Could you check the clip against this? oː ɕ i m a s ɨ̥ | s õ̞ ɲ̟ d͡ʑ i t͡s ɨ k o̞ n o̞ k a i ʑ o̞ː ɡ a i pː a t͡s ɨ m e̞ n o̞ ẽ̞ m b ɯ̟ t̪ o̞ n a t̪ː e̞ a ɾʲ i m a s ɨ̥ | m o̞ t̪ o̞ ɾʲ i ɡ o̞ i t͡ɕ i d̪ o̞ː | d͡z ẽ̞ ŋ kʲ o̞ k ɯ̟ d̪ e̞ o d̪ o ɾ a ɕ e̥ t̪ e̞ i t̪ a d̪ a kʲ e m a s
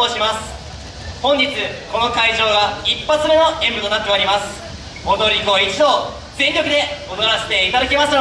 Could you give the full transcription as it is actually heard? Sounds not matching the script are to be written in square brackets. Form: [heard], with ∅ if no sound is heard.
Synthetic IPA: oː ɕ i m a s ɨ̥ | [h] õ̞ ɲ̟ d͡ʑ i t͡s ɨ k o̞ n o̞ k a i ʑ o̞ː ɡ a i pː a t͡s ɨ m e̞ n o̞ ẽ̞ m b ɯ̟ t̪ o̞ n a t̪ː e̞ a ɾʲ i m a s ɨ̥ | m o̞ [d̪] o̞ ɾʲ i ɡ o̞ i t͡ɕ i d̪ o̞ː | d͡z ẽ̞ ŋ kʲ o̞ k ɯ̟ d̪ e̞ o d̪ o ɾ a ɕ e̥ t̪ e̞ i t̪ a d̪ a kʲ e m a s

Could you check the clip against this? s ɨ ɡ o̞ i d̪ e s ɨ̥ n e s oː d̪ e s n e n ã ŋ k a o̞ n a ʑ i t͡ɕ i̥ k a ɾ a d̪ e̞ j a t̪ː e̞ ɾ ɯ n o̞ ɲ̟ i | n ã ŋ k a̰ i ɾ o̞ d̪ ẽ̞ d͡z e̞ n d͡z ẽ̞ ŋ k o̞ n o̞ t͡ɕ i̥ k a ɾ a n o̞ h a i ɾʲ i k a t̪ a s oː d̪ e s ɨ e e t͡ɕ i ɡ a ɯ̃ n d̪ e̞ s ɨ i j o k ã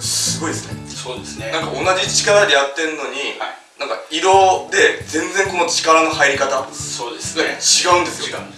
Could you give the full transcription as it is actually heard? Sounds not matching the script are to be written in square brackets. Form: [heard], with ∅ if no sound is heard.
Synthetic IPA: s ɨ ɡ o̞ i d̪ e s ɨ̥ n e s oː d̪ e s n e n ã ŋ k a o̞ n a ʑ i t͡ɕ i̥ k a ɾ a d̪ e̞ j a t̪ː e̞ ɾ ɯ n o̞ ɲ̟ i | n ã ŋ k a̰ i ɾ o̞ d̪ [e̞] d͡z [ẽ̞] n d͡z ẽ̞ ŋ k o̞ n o̞ t͡ɕ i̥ k a ɾ a n o̞ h a i ɾʲ i k a t̪ a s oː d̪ e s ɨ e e t͡ɕ i ɡ a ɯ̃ n d̪ e̞ s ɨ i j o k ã

